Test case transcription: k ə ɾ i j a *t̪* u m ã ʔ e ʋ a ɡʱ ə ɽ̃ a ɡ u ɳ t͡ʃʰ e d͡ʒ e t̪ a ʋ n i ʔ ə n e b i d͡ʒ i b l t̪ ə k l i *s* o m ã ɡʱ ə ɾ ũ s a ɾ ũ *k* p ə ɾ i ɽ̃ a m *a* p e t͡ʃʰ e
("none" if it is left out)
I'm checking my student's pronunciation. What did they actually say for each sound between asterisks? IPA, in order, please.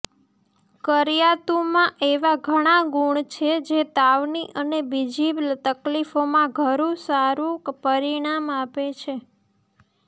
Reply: t̪, f, k, a

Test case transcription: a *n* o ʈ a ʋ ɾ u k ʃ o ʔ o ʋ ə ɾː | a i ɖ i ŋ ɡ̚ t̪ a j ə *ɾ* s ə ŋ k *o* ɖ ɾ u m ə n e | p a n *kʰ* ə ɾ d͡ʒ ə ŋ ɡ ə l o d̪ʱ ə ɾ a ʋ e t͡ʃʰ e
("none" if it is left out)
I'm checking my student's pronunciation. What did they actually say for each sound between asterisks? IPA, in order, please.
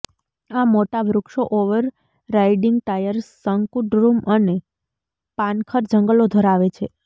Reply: m, ɾ, u, kʰ

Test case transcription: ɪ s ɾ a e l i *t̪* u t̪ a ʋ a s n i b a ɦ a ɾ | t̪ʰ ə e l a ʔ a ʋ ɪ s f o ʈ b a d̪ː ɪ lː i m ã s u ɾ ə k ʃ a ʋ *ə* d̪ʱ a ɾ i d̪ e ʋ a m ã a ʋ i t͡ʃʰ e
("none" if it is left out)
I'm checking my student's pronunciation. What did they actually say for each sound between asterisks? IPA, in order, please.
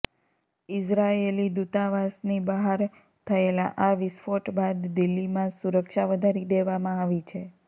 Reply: d̪, ə

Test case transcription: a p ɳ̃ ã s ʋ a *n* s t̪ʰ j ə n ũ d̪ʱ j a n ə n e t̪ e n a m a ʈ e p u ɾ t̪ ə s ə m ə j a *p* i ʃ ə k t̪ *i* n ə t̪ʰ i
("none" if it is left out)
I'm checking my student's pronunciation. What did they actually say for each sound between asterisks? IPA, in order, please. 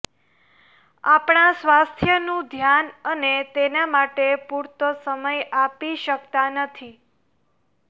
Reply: none, p, a

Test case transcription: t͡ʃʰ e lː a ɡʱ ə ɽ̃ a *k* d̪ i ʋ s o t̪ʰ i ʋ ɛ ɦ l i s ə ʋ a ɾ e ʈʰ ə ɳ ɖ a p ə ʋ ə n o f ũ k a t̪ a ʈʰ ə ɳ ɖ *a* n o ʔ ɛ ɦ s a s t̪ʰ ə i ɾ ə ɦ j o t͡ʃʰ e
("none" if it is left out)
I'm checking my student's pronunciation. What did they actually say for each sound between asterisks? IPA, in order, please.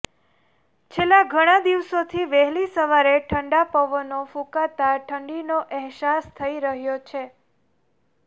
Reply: none, i

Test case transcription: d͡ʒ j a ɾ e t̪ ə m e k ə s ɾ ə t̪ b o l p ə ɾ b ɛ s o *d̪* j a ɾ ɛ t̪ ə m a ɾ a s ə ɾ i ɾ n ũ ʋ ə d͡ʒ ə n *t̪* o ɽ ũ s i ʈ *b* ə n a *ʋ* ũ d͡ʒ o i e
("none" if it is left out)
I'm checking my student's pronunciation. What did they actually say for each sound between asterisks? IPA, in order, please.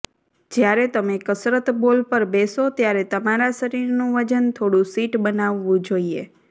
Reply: t̪, t̪ʰ, b, ʋː

